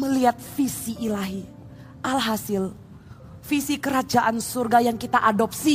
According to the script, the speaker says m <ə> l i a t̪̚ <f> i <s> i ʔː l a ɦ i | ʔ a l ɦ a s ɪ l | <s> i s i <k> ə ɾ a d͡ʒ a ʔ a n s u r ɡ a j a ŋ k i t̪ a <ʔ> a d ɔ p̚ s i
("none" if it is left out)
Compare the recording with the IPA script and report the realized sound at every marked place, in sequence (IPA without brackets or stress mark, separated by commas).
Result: ə, f, s, f, k, ʔ